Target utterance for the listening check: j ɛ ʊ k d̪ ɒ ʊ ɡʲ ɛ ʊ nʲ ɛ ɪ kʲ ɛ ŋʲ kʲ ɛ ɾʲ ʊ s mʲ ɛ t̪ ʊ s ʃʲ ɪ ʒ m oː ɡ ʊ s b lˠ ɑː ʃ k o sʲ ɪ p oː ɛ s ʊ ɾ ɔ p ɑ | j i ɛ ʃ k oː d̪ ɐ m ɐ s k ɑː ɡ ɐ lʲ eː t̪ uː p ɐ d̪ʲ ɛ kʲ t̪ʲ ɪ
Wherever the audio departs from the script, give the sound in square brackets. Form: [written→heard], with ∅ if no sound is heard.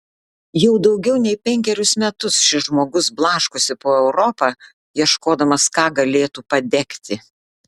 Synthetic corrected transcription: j ɛ ʊ [k→∅] d̪ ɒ ʊ ɡʲ ɛ ʊ nʲ ɛ ɪ [kʲ→pʲ] ɛ ŋʲ kʲ ɛ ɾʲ ʊ s mʲ ɛ t̪ ʊ s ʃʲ ɪ ʒ m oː ɡ ʊ s b lˠ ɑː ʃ k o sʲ ɪ p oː ɛ [s→∅] ʊ ɾ ɔ p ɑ | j i ɛ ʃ k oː d̪ ɐ m ɐ s k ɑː ɡ ɐ lʲ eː t̪ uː p ɐ d̪ʲ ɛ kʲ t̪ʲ ɪ

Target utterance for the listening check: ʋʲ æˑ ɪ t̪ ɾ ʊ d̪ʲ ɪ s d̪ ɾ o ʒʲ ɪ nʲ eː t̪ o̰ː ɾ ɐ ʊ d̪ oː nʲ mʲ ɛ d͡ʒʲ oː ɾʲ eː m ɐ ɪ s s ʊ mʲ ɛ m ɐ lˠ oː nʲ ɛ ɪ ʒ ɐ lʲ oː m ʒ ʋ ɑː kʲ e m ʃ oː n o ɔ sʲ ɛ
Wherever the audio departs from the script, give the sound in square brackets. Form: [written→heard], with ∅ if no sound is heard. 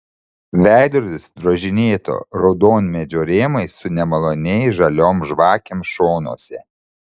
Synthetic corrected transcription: ʋʲ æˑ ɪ [t̪→d̪] ɾ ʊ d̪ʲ ɪ s d̪ ɾ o ʒʲ ɪ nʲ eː t̪ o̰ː ɾ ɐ ʊ d̪ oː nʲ mʲ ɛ d͡ʒʲ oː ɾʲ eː m ɐ ɪ s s ʊ [mʲ→nʲ] ɛ m ɐ lˠ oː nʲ ɛ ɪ ʒ ɐ lʲ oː m ʒ ʋ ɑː kʲ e m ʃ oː n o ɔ sʲ ɛ

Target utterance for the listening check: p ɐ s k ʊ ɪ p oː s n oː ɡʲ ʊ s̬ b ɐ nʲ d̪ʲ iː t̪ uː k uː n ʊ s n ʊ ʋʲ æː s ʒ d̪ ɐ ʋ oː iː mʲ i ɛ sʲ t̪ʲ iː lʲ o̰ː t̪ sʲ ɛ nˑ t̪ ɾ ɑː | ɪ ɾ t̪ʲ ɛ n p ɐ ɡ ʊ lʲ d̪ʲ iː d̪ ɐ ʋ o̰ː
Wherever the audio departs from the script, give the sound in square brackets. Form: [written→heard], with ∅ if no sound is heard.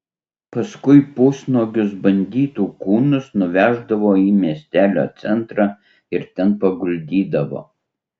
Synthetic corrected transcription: p ɐ s k ʊ ɪ p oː s n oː ɡʲ ʊ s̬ b ɐ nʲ d̪ʲ iː t̪ uː k uː n ʊ s n ʊ ʋʲ æː [s→∅] ʒ d̪ ɐ ʋ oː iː mʲ i ɛ sʲ t̪ʲ [iː→æː] lʲ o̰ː t̪ sʲ ɛ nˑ t̪ ɾ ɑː | ɪ ɾ t̪ʲ ɛ n p ɐ ɡ ʊ lʲ d̪ʲ iː d̪ ɐ ʋ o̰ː

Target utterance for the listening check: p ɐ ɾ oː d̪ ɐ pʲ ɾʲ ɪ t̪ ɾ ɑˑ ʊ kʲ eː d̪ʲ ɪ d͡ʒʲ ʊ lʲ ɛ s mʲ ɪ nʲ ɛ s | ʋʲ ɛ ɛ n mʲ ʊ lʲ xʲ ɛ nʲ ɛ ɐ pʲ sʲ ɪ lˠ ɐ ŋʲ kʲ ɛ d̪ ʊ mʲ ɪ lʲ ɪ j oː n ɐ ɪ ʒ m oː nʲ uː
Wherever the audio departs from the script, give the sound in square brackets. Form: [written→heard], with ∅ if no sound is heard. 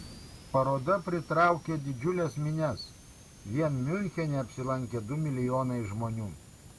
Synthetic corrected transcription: p ɐ ɾ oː d̪ ɐ pʲ ɾʲ ɪ t̪ ɾ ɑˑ ʊ kʲ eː d̪ʲ ɪ d͡ʒʲ ʊ lʲ ɛ s mʲ ɪ nʲ ɛ s | ʋʲ [ɛ→i] ɛ n mʲ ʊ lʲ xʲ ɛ nʲ ɛ ɐ pʲ sʲ ɪ lˠ ɐ ŋʲ kʲ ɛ d̪ ʊ mʲ ɪ lʲ ɪ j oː n ɐ ɪ ʒ m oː nʲ uː

